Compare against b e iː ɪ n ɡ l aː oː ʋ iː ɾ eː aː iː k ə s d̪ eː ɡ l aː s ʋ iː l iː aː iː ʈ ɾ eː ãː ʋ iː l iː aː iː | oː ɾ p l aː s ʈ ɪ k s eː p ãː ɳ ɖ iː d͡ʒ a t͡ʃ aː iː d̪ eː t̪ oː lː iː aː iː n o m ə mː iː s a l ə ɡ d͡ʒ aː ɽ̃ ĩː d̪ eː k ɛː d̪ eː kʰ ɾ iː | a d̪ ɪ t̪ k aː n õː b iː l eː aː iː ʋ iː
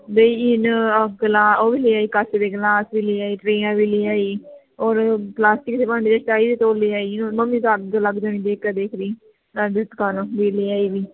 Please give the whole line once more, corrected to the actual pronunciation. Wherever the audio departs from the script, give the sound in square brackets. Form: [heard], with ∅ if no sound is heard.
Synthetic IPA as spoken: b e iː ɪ n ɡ l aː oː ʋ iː [l] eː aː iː k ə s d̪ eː ɡ l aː s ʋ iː l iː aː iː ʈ ɾ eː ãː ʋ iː l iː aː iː | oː ɾ p l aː s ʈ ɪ k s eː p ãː ɳ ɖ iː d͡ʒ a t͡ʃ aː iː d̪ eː t̪ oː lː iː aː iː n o m ə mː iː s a l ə ɡ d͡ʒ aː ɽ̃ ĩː d̪ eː k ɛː d̪ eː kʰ ɾ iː | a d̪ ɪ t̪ k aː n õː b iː l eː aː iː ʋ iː